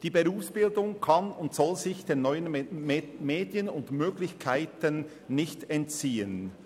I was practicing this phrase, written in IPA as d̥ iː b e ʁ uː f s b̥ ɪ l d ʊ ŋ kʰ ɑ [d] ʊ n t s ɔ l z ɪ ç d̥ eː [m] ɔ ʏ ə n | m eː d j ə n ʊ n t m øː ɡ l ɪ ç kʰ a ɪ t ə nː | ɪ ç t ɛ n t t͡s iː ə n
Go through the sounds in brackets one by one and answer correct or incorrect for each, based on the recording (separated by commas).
incorrect, incorrect